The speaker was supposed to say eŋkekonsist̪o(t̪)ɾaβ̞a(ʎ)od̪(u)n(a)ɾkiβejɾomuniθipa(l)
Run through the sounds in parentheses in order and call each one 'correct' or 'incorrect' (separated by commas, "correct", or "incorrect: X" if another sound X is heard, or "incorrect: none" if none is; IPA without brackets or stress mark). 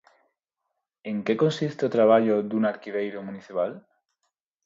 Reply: correct, correct, correct, correct, correct